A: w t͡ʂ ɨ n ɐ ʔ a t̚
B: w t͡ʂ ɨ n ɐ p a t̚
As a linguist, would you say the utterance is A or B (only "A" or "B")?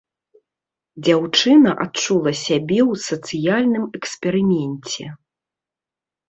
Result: A